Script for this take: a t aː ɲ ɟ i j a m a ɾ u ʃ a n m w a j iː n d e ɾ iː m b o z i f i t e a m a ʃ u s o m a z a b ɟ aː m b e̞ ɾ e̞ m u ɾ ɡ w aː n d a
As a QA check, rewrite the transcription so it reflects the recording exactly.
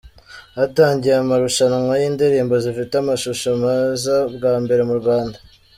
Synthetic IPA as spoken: a t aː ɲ ɟ i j a m a ɾ u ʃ a n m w a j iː n d e ɾ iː m b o z i f i t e a m a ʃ u ʃ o m a z a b ɡ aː m b e̞ ɾ e̞ m u ɾ ɡ w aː n d a